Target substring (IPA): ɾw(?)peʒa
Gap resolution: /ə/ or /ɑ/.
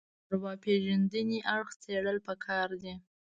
ɑ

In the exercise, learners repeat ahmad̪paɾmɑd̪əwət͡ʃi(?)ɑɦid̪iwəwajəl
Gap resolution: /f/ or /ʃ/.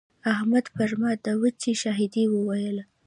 ʃ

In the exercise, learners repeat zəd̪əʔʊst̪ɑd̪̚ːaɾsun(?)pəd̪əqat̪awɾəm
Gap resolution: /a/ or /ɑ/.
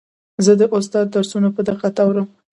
a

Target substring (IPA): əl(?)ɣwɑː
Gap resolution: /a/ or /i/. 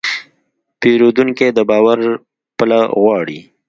a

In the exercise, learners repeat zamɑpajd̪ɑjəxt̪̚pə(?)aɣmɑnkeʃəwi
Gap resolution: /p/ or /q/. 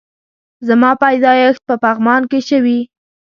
p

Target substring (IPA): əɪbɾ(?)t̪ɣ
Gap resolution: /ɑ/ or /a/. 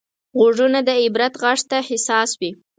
a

